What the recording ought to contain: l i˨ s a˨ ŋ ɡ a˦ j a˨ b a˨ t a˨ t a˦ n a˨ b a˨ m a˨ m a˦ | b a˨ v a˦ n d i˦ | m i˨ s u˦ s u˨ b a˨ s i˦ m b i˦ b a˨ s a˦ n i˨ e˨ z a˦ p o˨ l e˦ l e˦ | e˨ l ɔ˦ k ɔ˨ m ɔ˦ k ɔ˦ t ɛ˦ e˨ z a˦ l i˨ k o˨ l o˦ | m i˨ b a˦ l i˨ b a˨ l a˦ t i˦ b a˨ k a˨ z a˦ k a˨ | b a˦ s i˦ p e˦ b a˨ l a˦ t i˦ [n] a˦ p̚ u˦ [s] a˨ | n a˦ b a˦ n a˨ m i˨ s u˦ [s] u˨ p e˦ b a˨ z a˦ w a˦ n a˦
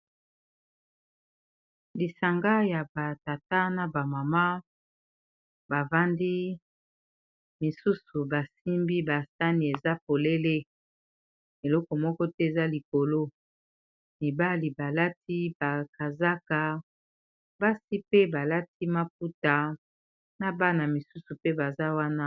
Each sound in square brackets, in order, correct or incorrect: incorrect, incorrect, correct

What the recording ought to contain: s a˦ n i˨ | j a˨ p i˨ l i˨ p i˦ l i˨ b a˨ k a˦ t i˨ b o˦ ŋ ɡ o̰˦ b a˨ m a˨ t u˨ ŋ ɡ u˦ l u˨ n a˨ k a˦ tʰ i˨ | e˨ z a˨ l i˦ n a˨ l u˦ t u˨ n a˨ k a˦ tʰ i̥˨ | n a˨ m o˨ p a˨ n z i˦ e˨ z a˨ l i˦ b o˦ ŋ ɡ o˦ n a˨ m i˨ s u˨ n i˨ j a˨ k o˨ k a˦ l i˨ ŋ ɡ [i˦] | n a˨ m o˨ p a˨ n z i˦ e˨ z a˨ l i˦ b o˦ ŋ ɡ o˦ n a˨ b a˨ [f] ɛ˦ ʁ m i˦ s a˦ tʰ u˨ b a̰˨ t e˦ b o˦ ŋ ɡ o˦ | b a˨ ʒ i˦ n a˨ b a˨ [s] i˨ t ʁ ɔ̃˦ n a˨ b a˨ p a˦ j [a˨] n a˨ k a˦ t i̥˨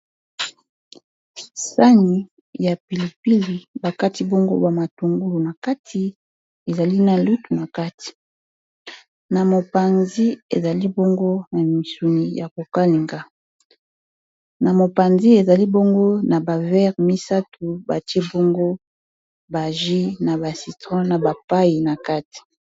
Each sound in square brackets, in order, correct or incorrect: incorrect, incorrect, correct, incorrect

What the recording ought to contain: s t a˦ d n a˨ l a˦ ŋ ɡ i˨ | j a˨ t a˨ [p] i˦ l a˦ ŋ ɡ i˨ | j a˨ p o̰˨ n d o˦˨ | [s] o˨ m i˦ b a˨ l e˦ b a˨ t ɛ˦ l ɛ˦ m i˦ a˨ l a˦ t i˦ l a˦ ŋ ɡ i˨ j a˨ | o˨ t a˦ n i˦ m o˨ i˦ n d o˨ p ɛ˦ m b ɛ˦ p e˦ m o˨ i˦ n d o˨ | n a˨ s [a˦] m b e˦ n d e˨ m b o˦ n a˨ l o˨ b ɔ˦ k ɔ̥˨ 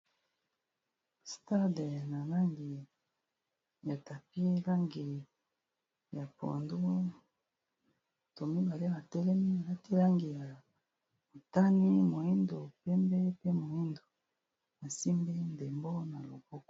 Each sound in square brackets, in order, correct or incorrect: correct, incorrect, incorrect

